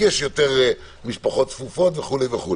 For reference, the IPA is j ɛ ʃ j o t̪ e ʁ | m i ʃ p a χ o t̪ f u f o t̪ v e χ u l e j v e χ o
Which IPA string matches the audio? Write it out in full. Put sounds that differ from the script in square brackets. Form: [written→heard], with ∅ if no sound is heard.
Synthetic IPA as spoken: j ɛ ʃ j o t̪ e ʁ | m i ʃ p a χ o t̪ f u f o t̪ v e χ u l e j v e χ [o→u]